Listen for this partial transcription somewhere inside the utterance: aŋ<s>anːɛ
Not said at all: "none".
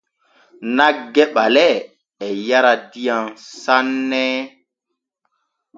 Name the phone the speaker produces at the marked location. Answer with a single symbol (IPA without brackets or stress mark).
s